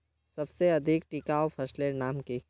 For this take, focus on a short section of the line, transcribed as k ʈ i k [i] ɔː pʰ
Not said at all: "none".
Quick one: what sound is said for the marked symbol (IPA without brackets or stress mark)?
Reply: a